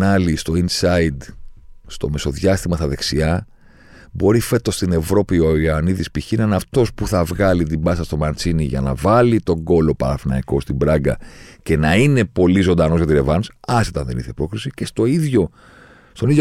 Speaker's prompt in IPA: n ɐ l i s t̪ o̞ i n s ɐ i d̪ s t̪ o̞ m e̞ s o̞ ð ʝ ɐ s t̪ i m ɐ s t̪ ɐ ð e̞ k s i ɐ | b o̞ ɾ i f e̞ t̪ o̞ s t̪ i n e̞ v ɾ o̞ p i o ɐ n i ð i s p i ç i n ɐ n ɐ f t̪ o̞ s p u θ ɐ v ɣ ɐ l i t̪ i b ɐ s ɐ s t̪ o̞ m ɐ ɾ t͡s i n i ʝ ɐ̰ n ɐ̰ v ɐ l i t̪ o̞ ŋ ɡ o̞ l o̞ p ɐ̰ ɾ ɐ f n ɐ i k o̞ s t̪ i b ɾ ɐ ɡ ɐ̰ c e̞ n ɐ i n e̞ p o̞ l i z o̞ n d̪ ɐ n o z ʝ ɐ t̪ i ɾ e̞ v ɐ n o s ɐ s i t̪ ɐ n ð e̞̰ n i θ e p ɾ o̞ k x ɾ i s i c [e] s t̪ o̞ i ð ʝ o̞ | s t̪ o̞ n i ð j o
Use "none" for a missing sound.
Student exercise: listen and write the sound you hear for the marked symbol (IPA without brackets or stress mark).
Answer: e